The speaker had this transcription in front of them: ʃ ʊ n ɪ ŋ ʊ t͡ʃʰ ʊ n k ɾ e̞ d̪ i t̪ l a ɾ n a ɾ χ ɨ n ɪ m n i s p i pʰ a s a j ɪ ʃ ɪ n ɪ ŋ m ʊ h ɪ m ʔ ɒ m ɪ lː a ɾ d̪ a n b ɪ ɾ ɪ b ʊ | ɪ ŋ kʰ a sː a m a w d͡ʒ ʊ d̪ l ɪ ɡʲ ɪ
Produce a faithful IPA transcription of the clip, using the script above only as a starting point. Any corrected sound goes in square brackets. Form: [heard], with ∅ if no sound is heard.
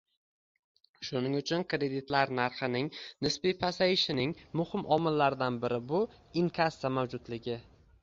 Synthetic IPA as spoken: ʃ ʊ n ɪ ŋ ʊ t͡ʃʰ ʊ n k ɾ e̞ d̪ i t̪ l a ɾ n a ɾ χ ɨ n ɪ [ŋ] n [ɪ] s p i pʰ a s a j ɪ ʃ ɪ n ɪ ŋ m ʊ h ɪ m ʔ ɒ m ɪ lː a ɾ d̪ a n b ɪ ɾ ɪ b ʊ | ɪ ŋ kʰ a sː a m a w d͡ʒ ʊ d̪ l ɪ ɡʲ ɪ